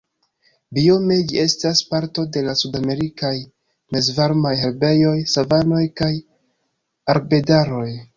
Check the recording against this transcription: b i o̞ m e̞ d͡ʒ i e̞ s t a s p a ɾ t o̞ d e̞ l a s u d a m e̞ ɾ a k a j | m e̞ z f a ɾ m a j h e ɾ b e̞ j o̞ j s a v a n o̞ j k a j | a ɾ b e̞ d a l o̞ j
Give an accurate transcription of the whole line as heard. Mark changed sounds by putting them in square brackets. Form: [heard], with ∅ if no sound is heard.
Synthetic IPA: b i o̞ m e̞ d͡ʒ i e̞ s t a s p a ɾ t o̞ d e̞ l a s u d a m e̞ ɾ [i] k a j | m e̞ z [v] a ɾ m a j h e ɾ b e̞ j o̞ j s a v a n o̞ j k a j | a ɾ b e̞ d a [ɾ] o̞ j